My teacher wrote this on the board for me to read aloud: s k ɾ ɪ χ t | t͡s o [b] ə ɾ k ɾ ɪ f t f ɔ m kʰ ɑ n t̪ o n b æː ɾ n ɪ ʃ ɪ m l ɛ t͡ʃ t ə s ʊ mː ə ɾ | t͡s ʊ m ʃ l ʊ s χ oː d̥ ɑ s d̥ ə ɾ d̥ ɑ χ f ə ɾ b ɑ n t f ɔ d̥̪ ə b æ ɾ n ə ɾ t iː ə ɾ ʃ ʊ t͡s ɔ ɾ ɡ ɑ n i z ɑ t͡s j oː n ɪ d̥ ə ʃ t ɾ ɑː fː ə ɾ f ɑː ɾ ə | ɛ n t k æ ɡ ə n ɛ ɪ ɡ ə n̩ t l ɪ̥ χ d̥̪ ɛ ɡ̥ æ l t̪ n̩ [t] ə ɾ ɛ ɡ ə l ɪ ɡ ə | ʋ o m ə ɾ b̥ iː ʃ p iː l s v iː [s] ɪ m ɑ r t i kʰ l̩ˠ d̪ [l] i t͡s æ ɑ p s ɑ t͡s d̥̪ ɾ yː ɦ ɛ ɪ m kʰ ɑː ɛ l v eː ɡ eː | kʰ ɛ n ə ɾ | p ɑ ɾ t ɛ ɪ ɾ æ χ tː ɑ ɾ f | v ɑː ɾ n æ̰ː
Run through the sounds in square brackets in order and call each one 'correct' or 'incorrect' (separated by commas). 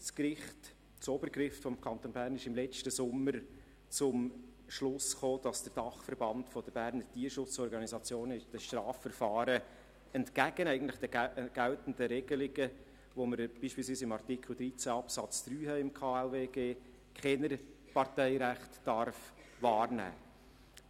correct, incorrect, correct, incorrect